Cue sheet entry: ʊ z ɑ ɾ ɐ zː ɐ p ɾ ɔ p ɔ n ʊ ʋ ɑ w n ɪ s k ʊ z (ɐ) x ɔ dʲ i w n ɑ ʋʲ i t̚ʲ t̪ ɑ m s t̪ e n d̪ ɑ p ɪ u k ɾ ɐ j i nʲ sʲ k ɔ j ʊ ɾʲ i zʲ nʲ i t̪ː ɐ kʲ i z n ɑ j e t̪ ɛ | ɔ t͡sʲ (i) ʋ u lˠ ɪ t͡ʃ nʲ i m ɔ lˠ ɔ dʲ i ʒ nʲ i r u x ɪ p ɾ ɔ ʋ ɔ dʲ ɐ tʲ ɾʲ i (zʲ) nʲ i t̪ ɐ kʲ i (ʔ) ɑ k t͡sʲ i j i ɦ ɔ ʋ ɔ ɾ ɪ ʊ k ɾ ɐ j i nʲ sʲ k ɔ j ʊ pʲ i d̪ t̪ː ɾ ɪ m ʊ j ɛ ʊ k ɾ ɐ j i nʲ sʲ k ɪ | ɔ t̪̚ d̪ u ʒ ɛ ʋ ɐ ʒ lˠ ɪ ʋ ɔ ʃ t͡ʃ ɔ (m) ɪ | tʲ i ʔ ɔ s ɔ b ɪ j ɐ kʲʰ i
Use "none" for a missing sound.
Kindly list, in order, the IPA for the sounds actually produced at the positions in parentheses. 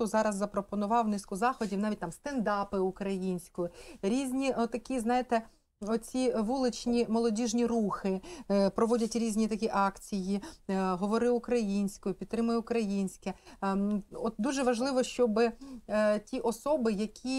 ɑ, i, zʲ, ʔ, b

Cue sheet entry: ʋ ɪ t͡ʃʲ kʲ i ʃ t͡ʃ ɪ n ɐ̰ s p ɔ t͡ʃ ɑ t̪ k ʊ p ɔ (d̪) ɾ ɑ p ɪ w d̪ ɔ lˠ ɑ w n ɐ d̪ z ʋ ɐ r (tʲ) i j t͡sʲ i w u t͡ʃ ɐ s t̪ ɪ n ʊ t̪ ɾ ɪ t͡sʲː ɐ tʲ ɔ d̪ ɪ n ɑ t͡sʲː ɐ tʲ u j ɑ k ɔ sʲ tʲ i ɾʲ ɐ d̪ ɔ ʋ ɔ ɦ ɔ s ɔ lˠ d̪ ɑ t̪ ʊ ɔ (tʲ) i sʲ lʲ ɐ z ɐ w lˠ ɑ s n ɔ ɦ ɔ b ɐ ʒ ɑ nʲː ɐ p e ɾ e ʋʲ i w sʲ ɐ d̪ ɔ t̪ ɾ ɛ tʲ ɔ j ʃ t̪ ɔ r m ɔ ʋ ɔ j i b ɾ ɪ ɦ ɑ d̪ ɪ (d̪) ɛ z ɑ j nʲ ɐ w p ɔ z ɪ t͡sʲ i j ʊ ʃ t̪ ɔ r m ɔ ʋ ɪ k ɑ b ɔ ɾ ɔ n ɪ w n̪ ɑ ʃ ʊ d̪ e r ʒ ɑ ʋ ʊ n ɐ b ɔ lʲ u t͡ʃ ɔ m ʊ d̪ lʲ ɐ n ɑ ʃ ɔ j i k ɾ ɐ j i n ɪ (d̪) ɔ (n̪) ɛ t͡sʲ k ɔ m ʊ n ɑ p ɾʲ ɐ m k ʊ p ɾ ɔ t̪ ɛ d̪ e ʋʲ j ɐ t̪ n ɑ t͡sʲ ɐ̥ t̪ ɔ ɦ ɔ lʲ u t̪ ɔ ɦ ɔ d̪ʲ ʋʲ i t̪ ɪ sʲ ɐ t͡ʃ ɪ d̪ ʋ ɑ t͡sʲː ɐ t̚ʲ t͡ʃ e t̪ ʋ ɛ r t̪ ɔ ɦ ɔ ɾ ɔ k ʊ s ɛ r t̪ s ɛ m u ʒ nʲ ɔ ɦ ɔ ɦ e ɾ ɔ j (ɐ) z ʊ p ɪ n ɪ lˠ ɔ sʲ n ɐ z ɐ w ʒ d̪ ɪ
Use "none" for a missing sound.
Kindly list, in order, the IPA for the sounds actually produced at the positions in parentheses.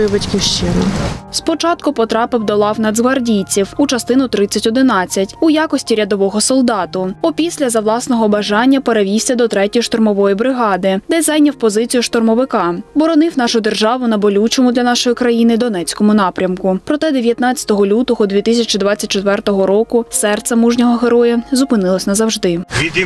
t̪, dʲ, pʲ, d̪, d̪, n̪, ɐ

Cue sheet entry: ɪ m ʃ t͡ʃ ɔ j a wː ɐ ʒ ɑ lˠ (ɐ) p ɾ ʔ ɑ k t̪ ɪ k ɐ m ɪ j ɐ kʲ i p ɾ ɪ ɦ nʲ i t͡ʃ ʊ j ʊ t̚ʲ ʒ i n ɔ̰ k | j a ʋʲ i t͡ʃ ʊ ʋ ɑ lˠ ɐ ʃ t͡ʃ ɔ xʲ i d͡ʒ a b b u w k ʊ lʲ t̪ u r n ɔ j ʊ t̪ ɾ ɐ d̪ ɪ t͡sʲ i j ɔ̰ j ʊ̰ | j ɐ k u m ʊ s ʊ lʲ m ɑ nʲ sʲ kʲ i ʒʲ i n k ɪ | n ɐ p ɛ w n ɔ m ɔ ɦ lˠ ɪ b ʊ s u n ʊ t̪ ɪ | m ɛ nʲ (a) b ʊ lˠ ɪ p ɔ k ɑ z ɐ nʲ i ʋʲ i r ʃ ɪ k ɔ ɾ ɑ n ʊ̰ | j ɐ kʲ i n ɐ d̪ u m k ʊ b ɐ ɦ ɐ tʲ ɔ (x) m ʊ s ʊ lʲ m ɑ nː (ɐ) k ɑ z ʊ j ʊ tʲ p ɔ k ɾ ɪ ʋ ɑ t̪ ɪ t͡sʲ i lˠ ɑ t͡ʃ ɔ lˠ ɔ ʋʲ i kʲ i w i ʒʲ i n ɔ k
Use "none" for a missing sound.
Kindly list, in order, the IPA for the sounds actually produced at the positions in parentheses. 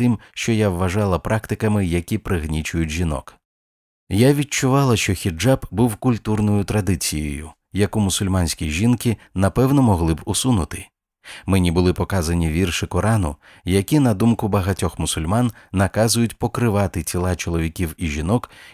ɐ, i, x, ɐ

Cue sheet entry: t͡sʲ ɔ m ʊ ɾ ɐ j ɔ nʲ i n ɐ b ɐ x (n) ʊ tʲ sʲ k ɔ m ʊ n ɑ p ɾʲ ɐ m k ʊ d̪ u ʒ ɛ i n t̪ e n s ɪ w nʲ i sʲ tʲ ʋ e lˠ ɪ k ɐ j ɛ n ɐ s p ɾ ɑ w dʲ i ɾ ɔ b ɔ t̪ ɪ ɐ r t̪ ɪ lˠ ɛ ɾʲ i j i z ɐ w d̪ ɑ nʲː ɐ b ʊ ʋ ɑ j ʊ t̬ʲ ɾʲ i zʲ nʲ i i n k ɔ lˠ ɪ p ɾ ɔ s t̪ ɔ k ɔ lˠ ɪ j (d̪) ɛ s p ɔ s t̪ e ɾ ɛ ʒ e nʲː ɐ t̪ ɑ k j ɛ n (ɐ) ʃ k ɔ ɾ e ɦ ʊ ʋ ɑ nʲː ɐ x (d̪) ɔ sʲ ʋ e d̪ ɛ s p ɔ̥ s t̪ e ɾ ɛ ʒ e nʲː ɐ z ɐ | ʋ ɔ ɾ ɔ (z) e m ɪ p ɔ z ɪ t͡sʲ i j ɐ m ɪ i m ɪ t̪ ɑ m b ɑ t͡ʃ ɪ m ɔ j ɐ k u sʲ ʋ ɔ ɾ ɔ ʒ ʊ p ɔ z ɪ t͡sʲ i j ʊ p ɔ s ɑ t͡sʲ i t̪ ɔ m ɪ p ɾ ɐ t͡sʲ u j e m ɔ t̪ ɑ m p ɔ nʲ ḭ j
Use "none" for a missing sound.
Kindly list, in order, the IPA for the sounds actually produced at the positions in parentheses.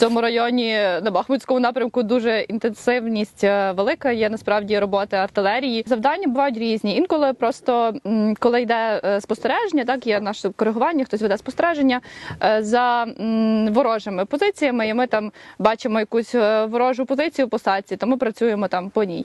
m, d̪, ɑ, t̪, ʒ

